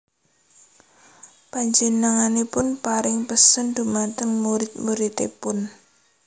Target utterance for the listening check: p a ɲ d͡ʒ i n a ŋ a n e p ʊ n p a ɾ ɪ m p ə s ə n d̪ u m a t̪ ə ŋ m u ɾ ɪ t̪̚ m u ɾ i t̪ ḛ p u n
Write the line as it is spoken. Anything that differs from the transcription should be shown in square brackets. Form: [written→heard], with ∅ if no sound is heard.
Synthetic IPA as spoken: p a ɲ d͡ʒ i n a ŋ a n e p ʊ n p a ɾ ɪ [m→ŋ] p ə s ə n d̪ u m a t̪ ə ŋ m u ɾ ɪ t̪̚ m u ɾ i t̪ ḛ p [u→ʊ] n